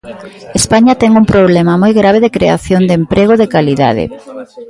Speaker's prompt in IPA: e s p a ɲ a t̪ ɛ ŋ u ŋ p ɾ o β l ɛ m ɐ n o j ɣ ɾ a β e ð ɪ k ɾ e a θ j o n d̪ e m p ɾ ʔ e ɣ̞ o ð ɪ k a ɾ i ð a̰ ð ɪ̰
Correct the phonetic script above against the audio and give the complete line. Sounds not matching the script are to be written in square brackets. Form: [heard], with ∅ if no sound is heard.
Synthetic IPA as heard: e s p a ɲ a t̪ ɛ ŋ u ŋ p ɾ o β l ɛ m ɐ [m] o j ɣ ɾ a β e ð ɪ k ɾ e a θ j o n d̪ e m p ɾ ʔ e ɣ̞ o ð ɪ k a [l] i ð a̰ ð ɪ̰